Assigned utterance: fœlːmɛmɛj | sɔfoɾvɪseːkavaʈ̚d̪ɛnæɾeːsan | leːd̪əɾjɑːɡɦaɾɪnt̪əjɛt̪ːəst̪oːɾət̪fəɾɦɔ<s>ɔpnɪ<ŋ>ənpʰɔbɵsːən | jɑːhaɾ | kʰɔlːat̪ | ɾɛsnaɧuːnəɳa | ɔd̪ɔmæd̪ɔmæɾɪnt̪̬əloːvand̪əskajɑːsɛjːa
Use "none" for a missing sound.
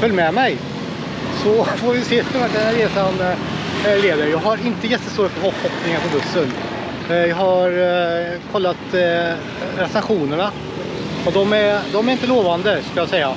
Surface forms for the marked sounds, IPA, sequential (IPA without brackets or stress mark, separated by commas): h, ŋ